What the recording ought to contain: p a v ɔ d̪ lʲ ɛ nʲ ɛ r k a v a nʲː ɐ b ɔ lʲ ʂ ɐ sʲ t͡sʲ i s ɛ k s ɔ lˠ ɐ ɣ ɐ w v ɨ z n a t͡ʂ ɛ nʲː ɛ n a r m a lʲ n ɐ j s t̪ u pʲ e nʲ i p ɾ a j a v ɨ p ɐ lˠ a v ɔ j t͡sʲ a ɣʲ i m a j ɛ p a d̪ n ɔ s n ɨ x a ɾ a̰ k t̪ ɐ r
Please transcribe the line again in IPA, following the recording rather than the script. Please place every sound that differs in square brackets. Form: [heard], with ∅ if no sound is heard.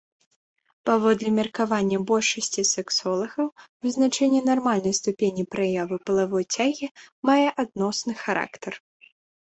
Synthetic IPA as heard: p a v ɔ d̪ lʲ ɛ [mʲ] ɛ r k a v a nʲː ɐ b ɔ lʲ ʂ ɐ sʲ t͡sʲ i s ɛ k s ɔ lˠ ɐ ɣ ɐ w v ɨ z n a t͡ʂ ɛ nʲː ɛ n a r m a lʲ n ɐ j s t̪ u pʲ e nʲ i p ɾ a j a v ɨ p ɐ lˠ a v ɔ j t͡sʲ a ɣʲ i m a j ɛ [ʔ] a d̪ n ɔ s n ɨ x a ɾ a̰ k t̪ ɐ r